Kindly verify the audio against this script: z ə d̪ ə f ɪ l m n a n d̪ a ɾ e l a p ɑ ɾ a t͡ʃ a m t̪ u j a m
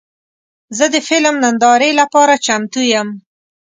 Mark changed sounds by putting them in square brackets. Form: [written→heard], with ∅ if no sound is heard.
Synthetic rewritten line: z ə d̪ ə f ɪ l m n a n d̪ [a→ɑ] ɾ e l a p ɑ ɾ a t͡ʃ a m t̪ u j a m